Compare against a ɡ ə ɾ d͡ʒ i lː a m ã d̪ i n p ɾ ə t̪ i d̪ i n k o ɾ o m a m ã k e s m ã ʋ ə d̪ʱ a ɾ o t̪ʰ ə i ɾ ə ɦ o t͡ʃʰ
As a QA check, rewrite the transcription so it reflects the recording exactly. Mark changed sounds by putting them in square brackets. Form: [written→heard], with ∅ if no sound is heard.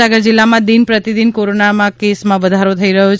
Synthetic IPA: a ɡ ə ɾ d͡ʒ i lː a m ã d̪ i n p ɾ ə t̪ i d̪ i n k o ɾ o [m→n] a m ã k e s m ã ʋ ə d̪ʱ a ɾ o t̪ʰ ə i ɾ ə ɦ o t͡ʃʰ

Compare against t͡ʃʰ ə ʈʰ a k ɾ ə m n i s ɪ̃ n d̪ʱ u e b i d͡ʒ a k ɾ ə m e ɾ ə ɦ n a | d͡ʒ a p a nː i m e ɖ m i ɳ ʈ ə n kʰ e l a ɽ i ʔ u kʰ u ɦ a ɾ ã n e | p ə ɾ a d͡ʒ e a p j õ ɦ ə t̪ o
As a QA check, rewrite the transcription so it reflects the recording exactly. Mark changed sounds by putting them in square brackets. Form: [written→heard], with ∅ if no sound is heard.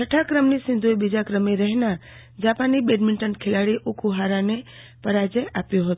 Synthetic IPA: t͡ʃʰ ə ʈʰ a k ɾ ə m n i s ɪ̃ n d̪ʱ u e b i d͡ʒ a k ɾ ə m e ɾ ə ɦ n a | d͡ʒ a p a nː i [m→b] e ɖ m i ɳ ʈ ə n kʰ e l a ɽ i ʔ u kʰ u ɦ a ɾ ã n e | p ə ɾ a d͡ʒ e a p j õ ɦ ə t̪ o

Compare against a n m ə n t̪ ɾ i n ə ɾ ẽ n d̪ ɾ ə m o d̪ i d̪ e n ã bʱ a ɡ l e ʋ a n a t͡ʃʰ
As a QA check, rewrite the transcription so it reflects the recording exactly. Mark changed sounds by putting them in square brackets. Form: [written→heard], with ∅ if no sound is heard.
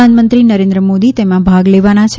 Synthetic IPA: a n m ə n t̪ ɾ i n ə ɾ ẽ n d̪ ɾ ə m o d̪ i [d̪→t̪] e [n→m] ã bʱ a ɡ l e ʋ a n a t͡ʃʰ

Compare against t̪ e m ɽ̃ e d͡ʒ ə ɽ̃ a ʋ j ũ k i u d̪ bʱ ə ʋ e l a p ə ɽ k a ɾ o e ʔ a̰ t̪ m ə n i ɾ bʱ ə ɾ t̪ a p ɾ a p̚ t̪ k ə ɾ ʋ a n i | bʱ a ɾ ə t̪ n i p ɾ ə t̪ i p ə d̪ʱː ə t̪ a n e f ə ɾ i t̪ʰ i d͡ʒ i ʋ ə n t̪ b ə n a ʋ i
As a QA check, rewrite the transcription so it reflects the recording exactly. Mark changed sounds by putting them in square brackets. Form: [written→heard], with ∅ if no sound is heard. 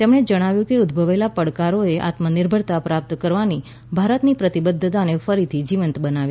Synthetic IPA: t̪ e m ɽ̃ e d͡ʒ ə ɽ̃ a ʋ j ũ k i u d̪ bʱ ə ʋ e l a p ə ɽ k a ɾ o e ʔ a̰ t̪ m ə n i ɾ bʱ ə ɾ t̪ a p ɾ a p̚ t̪ k ə ɾ ʋ a n i | bʱ a ɾ ə t̪ n i p ɾ ə t̪ i [p→b] ə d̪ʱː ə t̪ a n e f ə ɾ i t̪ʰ i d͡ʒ i ʋ ə n t̪ b ə n a ʋ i

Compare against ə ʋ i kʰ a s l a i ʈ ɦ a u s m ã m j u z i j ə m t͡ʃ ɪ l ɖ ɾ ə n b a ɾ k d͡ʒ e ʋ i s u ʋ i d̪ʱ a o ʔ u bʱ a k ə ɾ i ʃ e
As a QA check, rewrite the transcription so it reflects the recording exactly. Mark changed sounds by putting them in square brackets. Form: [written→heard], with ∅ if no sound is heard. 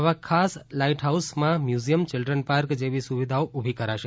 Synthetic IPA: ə ʋ [i→a] kʰ a s l a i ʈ ɦ a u s m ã m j u z i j ə m t͡ʃ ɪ l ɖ ɾ ə n [b→p] a ɾ k d͡ʒ e ʋ i s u ʋ i d̪ʱ a o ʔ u bʱ [a→i] k ə ɾ [i→a] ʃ e

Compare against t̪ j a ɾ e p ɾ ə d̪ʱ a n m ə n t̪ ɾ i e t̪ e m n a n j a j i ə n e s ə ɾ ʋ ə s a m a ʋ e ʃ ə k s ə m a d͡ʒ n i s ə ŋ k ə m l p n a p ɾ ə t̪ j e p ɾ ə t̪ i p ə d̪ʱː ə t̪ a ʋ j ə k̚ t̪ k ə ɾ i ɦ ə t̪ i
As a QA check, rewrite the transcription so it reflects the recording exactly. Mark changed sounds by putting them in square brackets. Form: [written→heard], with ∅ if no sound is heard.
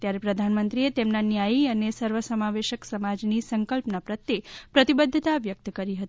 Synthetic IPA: t̪ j a ɾ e p ɾ ə d̪ʱ a n m ə n t̪ ɾ i e t̪ e m n a n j a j i ə n e s ə ɾ ʋ ə s [a→ə] m a ʋ e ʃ ə k s ə m a d͡ʒ n i s ə ŋ k ə [m→∅] l p n a p ɾ ə t̪ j e p ɾ ə t̪ i [p→b] ə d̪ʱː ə t̪ a ʋ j ə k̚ t̪ k ə ɾ i ɦ ə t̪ i

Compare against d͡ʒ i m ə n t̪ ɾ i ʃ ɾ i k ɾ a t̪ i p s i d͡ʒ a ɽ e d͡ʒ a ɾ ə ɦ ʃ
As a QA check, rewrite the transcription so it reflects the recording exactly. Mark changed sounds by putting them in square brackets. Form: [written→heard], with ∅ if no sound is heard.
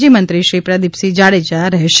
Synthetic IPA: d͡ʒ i m ə n t̪ ɾ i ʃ ɾ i [k→p] ɾ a [t̪→d̪] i p s i d͡ʒ a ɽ e d͡ʒ a ɾ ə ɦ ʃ

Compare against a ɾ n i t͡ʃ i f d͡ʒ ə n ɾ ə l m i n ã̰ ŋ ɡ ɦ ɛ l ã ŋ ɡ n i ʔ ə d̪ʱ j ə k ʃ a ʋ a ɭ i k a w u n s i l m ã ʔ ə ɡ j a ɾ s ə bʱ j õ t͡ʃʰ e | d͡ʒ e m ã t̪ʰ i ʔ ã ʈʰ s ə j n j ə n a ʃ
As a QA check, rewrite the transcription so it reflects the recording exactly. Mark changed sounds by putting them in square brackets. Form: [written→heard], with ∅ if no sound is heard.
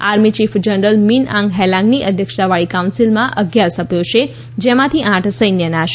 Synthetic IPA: a ɾ [n→m] i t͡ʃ i f d͡ʒ ə n ɾ ə l m i n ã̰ ŋ ɡ ɦ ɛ l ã ŋ ɡ n i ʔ ə d̪ʱ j ə k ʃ a ʋ a ɭ i k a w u n s i l m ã ʔ ə ɡ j a ɾ s ə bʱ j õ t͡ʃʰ e | d͡ʒ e m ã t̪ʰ i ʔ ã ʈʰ s ə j n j ə n a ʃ

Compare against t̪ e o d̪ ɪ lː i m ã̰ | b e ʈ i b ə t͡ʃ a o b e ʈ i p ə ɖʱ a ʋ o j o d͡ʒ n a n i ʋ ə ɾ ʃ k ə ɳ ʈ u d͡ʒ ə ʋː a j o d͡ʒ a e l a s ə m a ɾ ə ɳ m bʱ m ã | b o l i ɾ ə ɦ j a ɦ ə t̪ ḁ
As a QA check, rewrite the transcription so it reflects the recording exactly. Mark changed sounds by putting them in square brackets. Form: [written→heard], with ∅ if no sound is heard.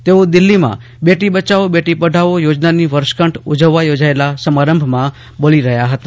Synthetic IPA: t̪ e o d̪ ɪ lː i m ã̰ | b e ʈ i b ə t͡ʃ a o b e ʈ i p ə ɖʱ a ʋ o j o d͡ʒ n a n i ʋ ə ɾ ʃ k ə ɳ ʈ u d͡ʒ ə ʋː a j o d͡ʒ a e l a s ə m a ɾ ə [ɳ→∅] m bʱ m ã | b o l i ɾ ə ɦ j a ɦ ə t̪ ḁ

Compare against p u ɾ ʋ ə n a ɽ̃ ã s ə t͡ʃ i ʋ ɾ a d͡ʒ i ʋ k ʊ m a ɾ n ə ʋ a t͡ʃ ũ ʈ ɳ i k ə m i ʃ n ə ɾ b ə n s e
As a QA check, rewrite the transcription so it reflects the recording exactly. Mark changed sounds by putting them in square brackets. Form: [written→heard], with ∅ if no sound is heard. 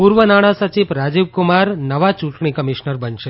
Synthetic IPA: p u ɾ ʋ ə n a ɽ̃ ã s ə t͡ʃ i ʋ ɾ a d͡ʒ i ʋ k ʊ m a ɾ n ə ʋ a t͡ʃ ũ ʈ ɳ i k ə m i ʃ n ə ɾ b ə n [s→ʃ] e

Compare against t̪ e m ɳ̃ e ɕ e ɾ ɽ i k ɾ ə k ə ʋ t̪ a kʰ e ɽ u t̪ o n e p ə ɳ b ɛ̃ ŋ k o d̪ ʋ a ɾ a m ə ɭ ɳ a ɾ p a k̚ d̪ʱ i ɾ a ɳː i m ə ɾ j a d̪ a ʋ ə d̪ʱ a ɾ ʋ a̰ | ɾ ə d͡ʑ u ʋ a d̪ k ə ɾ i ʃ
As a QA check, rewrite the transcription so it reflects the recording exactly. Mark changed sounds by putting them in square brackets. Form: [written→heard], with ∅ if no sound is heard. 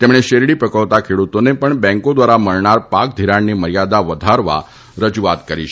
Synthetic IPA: t̪ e m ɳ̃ e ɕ e ɾ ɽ i [k→p] ɾ ə k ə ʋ t̪ a kʰ e ɽ u t̪ o n e p ə ɳ b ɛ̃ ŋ k o d̪ ʋ a ɾ a m ə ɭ ɳ a ɾ p a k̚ d̪ʱ i ɾ a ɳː i m ə ɾ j a d̪ a ʋ ə d̪ʱ a ɾ ʋ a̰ | ɾ ə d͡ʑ u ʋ a [d̪→t̪] k ə ɾ i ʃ

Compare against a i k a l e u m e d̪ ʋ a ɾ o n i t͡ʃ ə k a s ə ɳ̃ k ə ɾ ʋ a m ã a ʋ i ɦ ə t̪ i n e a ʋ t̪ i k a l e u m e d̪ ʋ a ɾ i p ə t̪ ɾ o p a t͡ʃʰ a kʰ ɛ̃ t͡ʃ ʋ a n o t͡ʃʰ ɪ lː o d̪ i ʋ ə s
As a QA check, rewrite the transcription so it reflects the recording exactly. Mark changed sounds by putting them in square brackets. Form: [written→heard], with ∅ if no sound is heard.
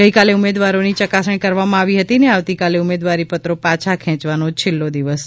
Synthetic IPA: [a→ə] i k a l e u m e d̪ ʋ a ɾ o n i t͡ʃ ə k a s ə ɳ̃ k ə ɾ ʋ a m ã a ʋ i ɦ ə t̪ i n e a ʋ t̪ i k a l e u m e d̪ ʋ a ɾ i p ə t̪ ɾ o p a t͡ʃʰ a kʰ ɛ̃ t͡ʃ ʋ a n o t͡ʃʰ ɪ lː o d̪ i ʋ ə s

